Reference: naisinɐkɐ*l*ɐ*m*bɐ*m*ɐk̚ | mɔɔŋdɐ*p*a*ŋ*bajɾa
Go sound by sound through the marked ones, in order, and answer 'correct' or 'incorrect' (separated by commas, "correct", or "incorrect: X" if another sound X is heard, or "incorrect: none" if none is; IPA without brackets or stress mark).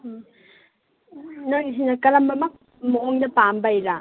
correct, correct, correct, correct, incorrect: m